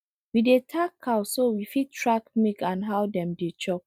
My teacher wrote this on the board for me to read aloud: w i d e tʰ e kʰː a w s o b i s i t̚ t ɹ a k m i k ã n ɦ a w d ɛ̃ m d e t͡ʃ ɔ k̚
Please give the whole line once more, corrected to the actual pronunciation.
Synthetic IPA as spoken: w i d e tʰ a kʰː a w s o w i f i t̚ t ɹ a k m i k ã n ɦ a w d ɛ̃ m d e t͡ʃ ɔ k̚